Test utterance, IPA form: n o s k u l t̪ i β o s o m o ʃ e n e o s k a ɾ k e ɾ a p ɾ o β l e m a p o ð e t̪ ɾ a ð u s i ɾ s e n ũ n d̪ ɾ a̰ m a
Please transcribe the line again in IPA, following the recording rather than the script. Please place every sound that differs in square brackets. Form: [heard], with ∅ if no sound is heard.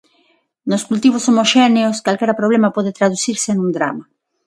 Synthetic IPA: n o s k u l t̪ i β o s o m o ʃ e n e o s k a [l] k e ɾ a p ɾ o β l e m a p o ð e t̪ ɾ a ð u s i ɾ s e n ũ n d̪ ɾ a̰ m a